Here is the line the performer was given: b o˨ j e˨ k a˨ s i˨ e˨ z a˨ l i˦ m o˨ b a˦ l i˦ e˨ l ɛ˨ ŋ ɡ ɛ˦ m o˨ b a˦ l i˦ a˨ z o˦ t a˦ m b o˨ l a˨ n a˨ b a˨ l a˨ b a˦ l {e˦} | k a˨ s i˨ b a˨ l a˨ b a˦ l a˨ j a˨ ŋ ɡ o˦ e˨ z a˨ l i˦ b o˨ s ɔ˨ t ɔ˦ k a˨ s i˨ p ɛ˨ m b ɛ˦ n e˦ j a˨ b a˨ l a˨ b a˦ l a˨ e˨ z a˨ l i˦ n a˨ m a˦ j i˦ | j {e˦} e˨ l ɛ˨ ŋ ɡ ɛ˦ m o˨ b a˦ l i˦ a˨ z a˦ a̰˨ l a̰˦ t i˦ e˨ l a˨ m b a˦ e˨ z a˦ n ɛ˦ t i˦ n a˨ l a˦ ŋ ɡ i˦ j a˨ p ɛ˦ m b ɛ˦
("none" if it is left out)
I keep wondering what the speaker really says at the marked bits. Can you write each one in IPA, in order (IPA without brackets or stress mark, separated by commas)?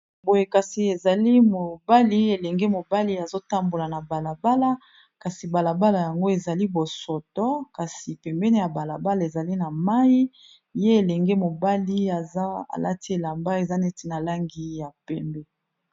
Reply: a˦, e˦